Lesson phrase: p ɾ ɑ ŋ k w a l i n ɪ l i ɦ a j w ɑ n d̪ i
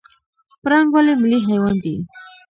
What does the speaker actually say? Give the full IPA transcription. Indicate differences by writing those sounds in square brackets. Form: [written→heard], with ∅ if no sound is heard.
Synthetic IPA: p ɾ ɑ ŋ [k→ɡ] w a l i [n→m] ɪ l i ɦ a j w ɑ n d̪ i